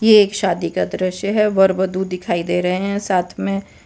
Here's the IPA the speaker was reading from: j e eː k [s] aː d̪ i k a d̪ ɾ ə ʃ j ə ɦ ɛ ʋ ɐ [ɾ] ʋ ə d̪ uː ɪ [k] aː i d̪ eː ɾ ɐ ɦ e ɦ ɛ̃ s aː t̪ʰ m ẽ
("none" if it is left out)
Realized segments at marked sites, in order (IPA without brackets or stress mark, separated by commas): ʃ, ɾ, kʰ